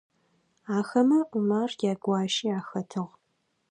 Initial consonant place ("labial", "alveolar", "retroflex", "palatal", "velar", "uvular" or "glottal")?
velar